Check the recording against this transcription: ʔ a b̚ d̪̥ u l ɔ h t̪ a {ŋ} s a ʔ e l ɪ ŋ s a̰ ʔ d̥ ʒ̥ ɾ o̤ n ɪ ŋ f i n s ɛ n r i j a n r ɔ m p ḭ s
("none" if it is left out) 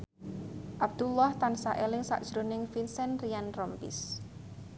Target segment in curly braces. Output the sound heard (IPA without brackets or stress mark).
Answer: n